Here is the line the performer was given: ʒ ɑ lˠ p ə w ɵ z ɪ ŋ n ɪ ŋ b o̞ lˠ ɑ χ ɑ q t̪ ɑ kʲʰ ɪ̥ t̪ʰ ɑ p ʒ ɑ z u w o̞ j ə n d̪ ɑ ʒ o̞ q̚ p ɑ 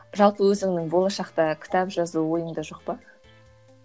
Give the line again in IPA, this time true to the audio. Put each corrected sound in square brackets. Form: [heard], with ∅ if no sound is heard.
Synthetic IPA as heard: ʒ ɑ lˠ p ə w ɵ z ɪ ŋ n ɪ ŋ b o̞ lˠ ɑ [ʃ] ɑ q t̪ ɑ kʲʰ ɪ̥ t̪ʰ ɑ p ʒ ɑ z u w o̞ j ə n d̪ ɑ ʒ o̞ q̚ p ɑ